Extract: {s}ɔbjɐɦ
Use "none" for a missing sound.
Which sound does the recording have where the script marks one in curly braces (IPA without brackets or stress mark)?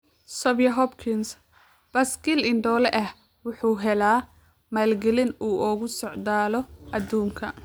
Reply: s